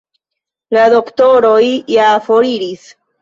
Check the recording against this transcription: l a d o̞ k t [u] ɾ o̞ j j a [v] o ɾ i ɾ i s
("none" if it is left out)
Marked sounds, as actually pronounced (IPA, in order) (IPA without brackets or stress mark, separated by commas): o, f